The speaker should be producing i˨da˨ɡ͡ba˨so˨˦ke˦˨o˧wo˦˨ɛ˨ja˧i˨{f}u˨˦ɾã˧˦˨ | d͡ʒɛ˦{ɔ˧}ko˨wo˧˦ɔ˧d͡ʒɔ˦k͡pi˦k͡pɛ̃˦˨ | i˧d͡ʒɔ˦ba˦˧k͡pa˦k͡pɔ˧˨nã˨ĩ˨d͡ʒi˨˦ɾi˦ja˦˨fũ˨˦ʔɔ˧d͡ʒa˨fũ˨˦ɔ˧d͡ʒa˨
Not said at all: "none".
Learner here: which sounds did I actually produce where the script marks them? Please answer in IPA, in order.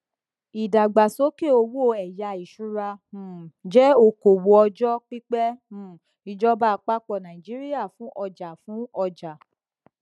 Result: ʃ, o˧

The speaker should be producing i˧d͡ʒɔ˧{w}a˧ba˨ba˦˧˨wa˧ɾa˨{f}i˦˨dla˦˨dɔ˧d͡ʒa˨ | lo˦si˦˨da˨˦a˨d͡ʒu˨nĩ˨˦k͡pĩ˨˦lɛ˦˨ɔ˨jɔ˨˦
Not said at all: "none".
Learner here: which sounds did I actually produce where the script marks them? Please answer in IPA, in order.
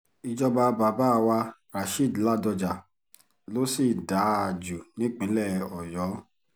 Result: b, ʃ

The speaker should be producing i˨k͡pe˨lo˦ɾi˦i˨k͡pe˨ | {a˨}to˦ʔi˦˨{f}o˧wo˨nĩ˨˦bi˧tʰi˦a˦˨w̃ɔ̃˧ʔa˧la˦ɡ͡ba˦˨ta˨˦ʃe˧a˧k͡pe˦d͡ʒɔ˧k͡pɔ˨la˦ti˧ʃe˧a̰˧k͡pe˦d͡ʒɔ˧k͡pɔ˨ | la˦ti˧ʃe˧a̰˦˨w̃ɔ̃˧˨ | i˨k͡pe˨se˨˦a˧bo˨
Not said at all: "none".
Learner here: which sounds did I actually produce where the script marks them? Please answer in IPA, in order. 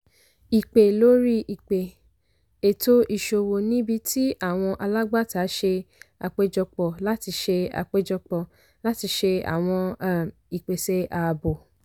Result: e˨, ʃ

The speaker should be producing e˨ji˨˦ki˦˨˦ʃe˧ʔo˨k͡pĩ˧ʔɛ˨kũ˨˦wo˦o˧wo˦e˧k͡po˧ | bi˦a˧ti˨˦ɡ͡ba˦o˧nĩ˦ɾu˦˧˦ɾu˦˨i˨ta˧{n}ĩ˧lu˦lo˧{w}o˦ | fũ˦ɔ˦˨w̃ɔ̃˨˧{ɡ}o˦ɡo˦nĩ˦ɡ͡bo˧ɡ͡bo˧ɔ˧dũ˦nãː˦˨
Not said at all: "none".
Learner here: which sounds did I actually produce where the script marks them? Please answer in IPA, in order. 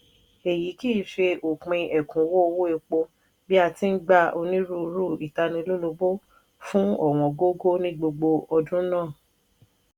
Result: n, b, ɡ

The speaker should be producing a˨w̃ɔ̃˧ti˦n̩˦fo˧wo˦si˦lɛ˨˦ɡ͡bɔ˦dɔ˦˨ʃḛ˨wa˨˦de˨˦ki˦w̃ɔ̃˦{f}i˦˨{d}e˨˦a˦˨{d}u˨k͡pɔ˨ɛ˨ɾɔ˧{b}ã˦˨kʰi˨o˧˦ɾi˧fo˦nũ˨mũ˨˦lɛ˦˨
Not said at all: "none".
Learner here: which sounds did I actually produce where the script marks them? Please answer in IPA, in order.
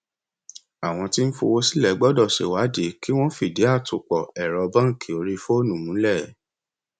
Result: f, d, t, b

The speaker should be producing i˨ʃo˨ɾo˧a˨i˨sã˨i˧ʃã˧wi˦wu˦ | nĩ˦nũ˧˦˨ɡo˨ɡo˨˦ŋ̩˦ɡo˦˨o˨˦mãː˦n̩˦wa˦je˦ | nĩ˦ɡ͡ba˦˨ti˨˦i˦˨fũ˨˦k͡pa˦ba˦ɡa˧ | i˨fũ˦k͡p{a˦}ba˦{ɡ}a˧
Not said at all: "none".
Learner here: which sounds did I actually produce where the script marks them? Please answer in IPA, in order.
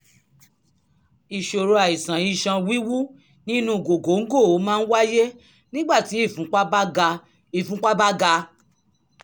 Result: a˦, ɡ

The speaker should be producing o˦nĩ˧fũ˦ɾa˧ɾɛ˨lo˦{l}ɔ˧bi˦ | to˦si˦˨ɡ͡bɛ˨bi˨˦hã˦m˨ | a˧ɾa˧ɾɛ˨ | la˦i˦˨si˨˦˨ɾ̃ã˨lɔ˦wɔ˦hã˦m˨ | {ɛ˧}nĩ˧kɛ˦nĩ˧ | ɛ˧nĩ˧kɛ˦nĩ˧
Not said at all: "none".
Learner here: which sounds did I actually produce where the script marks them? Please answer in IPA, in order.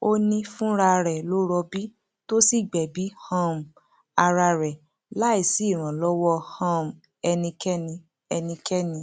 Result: ɾ, ɛ˧

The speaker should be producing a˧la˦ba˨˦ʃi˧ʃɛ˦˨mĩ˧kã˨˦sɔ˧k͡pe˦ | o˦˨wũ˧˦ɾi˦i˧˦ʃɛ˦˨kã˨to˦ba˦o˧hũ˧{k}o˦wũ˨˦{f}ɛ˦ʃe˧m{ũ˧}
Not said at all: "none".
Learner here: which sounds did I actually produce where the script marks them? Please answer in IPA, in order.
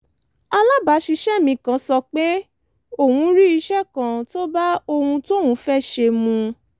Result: t, f, ũ˧

